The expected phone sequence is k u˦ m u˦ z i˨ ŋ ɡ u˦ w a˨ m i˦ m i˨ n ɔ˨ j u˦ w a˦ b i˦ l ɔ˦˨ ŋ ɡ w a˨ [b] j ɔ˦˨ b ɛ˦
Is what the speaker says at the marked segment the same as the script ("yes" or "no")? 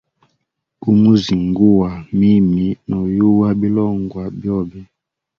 yes